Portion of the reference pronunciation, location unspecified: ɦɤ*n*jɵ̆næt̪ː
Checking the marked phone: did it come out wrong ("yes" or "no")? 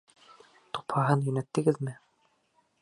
no